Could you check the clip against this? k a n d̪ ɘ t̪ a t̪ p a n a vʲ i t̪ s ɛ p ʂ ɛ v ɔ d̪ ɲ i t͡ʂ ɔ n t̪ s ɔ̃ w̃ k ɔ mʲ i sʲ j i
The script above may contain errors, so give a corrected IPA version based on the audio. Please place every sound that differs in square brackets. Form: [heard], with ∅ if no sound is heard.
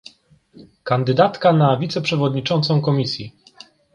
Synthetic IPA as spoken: k a n d̪ ɘ [d̪] a t̪ [k] a n a vʲ i t̪ s ɛ p ʂ ɛ v ɔ d̪ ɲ i t͡ʂ ɔ n t̪ s ɔ̃ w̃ k ɔ mʲ i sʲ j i